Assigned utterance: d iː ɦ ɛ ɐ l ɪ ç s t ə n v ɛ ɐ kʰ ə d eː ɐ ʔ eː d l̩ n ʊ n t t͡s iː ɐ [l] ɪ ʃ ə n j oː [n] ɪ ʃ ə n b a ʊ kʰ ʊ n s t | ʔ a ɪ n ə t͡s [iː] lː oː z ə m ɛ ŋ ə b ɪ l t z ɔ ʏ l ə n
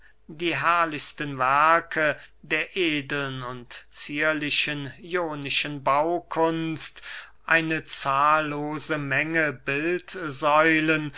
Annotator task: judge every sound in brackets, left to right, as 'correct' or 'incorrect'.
correct, correct, incorrect: aː

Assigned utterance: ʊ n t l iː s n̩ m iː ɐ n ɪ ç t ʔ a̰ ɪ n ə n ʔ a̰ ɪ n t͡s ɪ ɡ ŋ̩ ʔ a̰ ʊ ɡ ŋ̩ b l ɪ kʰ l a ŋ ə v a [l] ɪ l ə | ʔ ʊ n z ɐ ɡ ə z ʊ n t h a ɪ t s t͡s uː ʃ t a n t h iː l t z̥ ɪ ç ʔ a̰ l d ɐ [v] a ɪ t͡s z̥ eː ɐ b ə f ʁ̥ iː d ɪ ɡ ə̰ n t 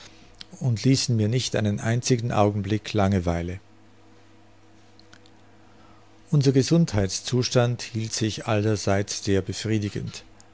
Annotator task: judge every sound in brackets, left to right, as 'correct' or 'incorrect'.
incorrect: none, incorrect: z

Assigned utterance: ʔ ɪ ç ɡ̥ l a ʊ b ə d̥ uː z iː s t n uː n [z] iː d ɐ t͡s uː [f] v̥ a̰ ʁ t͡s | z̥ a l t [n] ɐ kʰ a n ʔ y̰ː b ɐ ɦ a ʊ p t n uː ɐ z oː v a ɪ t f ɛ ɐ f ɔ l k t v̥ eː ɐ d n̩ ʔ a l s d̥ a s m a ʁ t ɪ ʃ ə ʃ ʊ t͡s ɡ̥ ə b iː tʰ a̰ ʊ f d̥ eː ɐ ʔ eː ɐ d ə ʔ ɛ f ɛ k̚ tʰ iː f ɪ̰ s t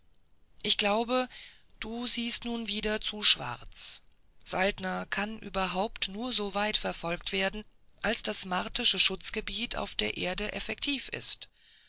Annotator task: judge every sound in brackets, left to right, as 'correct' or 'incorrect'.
incorrect: v, incorrect: ʃ, correct

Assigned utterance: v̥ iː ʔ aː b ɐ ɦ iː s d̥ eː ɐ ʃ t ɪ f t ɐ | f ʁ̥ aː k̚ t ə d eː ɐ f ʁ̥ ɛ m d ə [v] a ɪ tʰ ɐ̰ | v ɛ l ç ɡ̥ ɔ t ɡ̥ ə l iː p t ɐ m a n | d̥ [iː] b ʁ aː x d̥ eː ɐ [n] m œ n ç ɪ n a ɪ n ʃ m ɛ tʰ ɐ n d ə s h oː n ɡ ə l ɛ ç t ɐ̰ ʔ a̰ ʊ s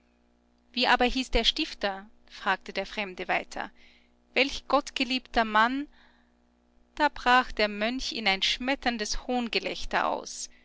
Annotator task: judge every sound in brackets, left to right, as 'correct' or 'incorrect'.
correct, incorrect: aː, incorrect: none

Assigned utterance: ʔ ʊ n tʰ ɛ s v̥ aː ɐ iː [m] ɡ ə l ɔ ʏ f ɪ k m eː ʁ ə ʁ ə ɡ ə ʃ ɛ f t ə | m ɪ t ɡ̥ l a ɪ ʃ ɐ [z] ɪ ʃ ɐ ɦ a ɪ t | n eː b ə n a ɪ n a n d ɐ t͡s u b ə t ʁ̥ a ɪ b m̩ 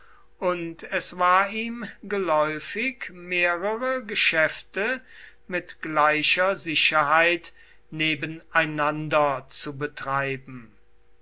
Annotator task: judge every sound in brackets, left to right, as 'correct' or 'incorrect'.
correct, correct

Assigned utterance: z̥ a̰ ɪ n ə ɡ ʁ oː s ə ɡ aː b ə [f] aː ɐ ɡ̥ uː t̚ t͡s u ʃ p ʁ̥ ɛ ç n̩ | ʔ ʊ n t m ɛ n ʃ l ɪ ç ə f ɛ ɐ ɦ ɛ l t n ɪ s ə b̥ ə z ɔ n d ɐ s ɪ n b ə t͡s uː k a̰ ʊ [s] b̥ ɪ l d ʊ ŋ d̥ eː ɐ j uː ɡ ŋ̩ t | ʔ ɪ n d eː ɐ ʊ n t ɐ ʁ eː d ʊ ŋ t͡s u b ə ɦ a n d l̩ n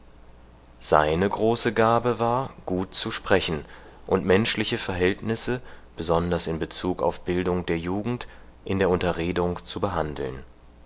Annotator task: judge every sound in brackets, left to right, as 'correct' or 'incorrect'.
incorrect: v, incorrect: f

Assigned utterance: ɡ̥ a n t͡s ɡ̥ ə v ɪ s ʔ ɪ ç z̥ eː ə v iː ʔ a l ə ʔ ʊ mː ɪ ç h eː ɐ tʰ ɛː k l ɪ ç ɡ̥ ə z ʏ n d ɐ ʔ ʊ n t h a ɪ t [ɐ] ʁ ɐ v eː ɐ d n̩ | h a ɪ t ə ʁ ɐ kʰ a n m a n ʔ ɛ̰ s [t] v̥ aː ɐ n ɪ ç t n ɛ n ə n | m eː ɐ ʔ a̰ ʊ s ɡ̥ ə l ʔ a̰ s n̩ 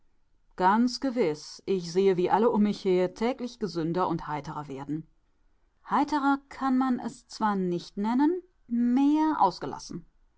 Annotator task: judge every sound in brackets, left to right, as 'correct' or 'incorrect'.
incorrect: ə, incorrect: t͡s

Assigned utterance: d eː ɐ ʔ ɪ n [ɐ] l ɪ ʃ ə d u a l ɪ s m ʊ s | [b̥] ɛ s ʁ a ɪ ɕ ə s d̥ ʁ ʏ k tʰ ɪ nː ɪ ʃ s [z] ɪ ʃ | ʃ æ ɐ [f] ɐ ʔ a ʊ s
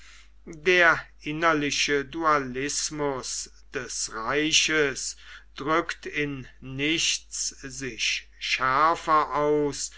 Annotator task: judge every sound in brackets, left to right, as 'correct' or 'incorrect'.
correct, incorrect: d̥, correct, correct

